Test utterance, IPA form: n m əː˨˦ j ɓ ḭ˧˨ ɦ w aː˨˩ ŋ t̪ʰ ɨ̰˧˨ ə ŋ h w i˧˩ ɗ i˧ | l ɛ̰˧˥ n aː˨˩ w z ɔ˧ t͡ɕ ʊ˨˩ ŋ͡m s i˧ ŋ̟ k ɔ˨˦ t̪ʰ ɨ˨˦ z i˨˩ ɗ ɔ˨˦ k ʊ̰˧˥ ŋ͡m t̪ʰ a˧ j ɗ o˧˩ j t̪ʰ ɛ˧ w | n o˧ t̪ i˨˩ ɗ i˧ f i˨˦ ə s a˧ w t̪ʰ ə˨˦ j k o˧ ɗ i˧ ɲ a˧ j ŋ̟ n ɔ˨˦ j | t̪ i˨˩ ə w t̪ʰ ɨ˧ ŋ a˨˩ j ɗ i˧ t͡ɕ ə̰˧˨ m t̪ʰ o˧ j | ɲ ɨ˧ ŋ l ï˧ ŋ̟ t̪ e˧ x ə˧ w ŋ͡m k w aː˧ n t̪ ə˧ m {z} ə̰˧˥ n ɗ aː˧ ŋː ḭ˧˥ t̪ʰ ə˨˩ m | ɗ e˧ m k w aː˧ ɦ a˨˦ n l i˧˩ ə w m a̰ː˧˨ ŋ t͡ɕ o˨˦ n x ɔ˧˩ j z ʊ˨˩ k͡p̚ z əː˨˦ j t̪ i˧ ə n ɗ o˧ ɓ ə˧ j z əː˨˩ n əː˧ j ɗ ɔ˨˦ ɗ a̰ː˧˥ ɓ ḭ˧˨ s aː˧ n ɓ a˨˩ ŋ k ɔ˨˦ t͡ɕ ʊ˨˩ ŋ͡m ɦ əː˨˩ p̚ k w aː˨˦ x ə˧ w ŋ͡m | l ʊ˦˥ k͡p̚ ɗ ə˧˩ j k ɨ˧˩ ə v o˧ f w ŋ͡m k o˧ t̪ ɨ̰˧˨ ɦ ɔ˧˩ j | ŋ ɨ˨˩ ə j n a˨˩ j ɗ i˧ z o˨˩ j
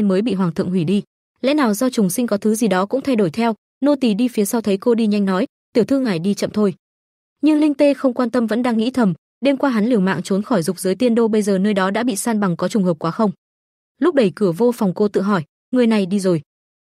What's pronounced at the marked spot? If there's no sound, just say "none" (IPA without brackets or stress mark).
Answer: v